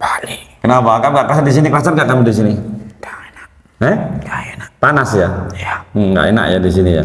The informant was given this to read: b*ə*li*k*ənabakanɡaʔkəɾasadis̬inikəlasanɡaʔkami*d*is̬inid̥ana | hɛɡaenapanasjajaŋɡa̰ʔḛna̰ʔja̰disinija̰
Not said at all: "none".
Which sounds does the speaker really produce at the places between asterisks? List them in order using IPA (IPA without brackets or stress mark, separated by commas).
a, k, d